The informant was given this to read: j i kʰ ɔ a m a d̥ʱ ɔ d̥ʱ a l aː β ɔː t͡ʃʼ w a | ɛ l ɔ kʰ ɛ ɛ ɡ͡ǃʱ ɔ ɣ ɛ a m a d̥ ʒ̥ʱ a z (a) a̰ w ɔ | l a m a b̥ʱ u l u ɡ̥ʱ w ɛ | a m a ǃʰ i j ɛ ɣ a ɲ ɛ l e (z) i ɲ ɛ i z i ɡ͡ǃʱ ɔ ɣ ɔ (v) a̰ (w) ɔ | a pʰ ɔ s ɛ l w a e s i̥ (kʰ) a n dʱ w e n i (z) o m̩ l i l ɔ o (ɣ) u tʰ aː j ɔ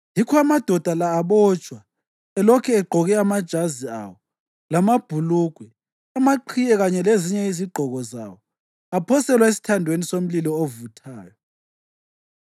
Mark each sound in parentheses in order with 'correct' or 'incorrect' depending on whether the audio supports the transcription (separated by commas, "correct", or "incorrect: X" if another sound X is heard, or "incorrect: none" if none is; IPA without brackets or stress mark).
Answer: incorrect: i, correct, incorrect: z, correct, incorrect: tʰ, incorrect: s, incorrect: v